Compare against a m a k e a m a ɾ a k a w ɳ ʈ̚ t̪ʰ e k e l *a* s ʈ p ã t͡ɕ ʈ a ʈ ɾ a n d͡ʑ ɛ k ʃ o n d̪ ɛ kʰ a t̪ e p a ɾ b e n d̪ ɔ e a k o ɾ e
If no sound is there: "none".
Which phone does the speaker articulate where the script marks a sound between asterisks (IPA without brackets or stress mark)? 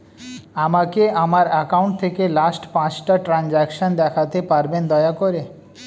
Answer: a